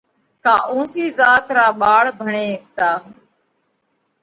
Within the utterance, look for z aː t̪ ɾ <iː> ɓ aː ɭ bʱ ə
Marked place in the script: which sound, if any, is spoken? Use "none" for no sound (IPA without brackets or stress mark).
aː